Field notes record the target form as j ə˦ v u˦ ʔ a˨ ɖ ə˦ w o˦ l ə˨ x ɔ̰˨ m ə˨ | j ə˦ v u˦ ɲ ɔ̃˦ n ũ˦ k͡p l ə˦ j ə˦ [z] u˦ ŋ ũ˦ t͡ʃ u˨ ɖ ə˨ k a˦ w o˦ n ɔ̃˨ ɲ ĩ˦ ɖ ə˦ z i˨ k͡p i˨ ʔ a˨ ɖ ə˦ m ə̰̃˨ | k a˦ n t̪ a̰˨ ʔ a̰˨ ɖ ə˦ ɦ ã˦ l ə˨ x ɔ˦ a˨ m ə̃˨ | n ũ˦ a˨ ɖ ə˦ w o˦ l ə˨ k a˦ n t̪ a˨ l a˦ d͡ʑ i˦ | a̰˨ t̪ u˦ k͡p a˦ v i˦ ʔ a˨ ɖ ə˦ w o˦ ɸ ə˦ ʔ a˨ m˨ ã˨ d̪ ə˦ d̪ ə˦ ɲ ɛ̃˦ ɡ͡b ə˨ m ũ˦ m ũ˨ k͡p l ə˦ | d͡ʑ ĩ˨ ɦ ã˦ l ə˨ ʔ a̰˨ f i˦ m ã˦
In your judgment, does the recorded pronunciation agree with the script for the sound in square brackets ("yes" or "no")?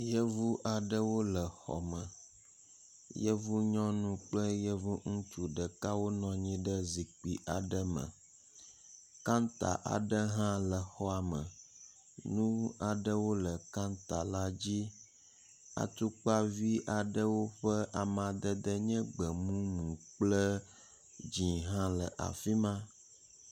no